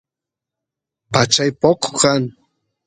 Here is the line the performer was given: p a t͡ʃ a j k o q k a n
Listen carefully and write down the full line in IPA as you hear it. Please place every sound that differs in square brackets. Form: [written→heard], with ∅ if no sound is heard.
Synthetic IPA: p a t͡ʃ a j [k→p] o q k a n